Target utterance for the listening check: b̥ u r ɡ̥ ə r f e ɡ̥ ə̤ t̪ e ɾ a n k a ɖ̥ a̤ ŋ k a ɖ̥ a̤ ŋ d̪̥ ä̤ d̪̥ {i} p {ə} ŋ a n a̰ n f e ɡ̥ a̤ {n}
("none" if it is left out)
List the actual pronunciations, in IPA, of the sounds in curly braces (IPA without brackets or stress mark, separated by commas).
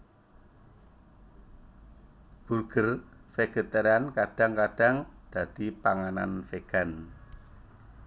i, a, n